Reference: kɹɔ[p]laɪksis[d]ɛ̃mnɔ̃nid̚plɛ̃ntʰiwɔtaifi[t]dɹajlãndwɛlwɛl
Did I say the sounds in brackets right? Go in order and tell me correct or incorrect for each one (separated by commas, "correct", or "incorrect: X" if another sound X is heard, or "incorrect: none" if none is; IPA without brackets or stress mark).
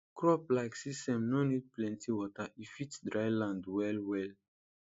correct, incorrect: t, correct